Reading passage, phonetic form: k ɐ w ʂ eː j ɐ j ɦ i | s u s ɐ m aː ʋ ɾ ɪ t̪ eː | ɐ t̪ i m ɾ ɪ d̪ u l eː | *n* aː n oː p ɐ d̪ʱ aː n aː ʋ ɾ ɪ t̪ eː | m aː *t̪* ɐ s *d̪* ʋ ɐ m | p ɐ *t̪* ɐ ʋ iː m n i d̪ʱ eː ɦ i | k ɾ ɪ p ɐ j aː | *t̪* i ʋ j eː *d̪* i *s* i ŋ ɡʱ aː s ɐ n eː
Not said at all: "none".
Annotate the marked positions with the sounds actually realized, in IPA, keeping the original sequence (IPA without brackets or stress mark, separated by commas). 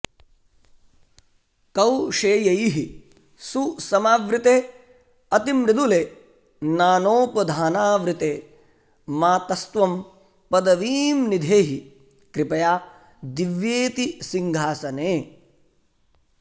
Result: n, t̪, t̪, d̪, d̪, t̪, s